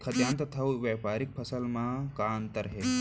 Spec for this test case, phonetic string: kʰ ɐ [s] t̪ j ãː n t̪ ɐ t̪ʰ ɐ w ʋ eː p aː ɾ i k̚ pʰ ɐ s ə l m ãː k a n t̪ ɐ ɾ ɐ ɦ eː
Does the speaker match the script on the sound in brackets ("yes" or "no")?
no